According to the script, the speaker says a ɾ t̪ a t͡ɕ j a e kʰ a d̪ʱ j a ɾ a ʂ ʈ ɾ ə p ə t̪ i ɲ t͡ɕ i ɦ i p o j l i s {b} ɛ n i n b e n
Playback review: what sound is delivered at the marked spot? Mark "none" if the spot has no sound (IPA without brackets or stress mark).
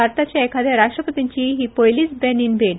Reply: b